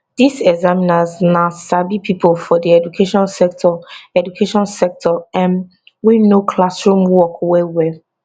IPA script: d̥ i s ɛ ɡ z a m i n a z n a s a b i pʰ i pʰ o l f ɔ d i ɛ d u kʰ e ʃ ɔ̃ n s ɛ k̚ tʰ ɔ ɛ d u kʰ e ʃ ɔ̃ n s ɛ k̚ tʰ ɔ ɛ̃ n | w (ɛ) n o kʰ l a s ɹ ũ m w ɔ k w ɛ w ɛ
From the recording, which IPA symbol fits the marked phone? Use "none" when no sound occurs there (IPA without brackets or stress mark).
i